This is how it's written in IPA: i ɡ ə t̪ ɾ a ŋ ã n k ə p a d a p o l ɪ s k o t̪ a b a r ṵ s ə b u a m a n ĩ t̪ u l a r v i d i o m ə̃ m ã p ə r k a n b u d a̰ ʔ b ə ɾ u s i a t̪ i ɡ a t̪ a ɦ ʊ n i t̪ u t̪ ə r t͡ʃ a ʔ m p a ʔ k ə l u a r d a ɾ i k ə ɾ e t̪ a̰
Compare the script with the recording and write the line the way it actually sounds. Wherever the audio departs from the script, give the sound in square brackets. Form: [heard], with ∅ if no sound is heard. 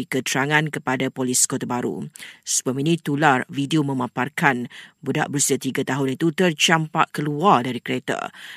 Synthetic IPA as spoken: i [k] ə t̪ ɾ a ŋ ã n k ə p a d a p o l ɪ s k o t̪ a b a [ɾ] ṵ s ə b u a m [i] n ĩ t̪ u l a r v i d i o m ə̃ m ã p [a] r k a n b u d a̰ ʔ b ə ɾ u s i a t̪ i ɡ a t̪ a ɦ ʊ n i t̪ u t̪ ə r t͡ʃ a [∅] m p a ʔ k ə l u a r d a ɾ i k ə ɾ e t̪ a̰